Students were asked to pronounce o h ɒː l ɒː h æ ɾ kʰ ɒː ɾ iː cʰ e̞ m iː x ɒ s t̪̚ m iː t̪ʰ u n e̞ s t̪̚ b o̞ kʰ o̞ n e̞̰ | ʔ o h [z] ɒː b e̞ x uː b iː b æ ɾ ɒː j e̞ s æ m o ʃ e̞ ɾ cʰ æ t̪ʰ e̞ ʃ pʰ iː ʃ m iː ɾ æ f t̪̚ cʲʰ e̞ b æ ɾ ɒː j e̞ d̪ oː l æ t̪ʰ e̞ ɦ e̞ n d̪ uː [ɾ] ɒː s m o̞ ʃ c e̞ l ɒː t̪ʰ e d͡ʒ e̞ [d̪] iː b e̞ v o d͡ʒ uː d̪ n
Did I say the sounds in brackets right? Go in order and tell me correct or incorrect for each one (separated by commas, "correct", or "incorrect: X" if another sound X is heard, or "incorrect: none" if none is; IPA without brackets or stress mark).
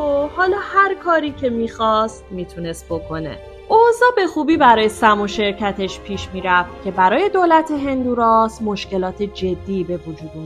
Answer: correct, correct, incorrect: d̪ː